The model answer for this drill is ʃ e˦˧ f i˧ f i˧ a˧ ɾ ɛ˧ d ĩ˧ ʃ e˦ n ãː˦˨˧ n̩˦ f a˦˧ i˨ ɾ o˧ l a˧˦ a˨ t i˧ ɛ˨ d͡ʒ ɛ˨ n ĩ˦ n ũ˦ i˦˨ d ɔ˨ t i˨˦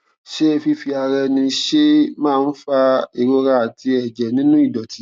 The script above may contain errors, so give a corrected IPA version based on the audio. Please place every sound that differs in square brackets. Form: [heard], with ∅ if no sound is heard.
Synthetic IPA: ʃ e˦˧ f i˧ f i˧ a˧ ɾ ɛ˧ [n] ĩ˧ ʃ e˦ [m] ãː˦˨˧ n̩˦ f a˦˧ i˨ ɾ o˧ [ɾ] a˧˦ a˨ t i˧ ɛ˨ d͡ʒ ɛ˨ n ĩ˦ n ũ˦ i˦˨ d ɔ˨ t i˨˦